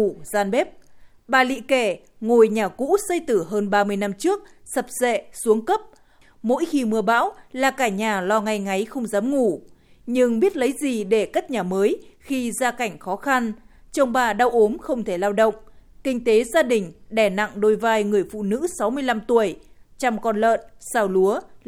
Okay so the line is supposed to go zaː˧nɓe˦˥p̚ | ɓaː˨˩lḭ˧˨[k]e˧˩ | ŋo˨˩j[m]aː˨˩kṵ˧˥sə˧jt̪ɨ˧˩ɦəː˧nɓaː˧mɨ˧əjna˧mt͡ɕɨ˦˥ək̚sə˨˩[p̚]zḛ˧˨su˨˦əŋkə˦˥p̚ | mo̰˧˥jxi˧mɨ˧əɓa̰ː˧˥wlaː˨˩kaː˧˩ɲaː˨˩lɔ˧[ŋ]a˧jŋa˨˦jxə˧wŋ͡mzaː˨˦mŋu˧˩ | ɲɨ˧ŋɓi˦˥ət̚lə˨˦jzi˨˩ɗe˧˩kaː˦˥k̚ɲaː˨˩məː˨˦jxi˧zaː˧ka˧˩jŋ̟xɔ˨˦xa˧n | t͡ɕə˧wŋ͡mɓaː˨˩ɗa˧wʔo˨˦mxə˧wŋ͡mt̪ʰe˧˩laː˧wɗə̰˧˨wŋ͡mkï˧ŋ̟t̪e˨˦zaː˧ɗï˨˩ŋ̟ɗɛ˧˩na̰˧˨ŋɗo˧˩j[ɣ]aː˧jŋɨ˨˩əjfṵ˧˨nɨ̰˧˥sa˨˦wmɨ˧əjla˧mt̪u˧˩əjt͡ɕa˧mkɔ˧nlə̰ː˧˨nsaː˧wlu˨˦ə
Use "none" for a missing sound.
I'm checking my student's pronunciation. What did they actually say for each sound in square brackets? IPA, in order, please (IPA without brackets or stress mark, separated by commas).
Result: k, ɲ, p̚, ŋ, v